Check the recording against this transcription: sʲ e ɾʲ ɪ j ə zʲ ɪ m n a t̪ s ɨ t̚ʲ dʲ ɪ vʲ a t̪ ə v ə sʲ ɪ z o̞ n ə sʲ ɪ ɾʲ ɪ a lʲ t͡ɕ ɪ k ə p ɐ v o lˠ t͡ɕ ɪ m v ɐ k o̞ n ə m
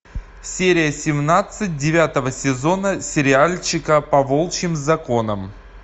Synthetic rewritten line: sʲ e ɾʲ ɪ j ə sʲ ɪ m n a t̪ s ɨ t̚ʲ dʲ ɪ vʲ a t̪ ə v ə sʲ ɪ z o̞ n ə sʲ ɪ ɾʲ ɪ a lʲ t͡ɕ ɪ k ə p ɐ v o lˠ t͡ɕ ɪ m z ɐ k o̞ n ə m